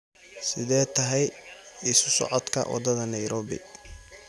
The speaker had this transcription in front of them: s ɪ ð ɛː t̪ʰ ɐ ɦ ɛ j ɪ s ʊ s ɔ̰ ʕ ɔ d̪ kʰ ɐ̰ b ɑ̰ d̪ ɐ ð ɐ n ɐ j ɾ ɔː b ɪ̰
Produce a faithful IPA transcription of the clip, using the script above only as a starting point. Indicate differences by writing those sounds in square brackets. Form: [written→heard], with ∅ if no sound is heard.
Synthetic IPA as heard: s ɪ ð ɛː t̪ʰ ɐ ɦ ɛ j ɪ s ʊ s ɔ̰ ʕ ɔ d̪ kʰ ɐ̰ [b→w] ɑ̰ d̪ ɐ ð ɐ n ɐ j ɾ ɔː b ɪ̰